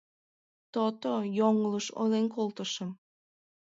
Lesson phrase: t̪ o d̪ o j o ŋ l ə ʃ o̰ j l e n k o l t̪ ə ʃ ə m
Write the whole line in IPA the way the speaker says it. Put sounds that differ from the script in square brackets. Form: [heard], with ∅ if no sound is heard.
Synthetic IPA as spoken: t̪ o [t̪] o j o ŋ l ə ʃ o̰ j l e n k o l t̪ ə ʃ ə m